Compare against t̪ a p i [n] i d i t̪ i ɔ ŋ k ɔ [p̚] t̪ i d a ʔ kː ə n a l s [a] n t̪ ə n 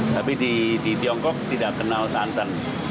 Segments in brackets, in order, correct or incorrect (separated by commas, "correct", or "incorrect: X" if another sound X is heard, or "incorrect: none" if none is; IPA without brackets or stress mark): incorrect: d, incorrect: k̚, correct